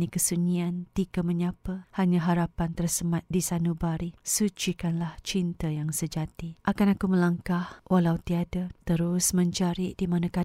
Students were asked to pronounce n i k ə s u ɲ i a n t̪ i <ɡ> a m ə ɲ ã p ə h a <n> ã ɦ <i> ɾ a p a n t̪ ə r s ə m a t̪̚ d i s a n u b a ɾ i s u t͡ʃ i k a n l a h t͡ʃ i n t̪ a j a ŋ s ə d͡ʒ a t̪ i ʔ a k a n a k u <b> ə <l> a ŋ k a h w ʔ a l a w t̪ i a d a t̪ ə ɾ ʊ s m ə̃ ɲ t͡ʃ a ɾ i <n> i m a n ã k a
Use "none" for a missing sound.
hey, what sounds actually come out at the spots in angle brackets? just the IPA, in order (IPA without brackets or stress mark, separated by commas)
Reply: k, ɲ, a, m, l, d